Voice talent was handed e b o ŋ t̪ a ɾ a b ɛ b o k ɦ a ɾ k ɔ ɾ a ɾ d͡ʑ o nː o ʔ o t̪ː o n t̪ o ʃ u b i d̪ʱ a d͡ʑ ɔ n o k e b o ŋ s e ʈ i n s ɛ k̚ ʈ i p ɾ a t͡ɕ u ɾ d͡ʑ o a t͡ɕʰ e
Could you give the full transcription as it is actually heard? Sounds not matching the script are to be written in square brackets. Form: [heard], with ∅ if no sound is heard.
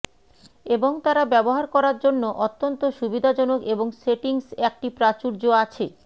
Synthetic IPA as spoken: e b o ŋ t̪ a ɾ a b ɛ b o [∅] ɦ a ɾ k ɔ ɾ a ɾ d͡ʑ o nː o ʔ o t̪ː o n t̪ o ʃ u b i d̪ʱ a d͡ʑ ɔ n o k e b o ŋ s e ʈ i [ŋ] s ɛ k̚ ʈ i p ɾ a t͡ɕ u ɾ d͡ʑ o a t͡ɕʰ e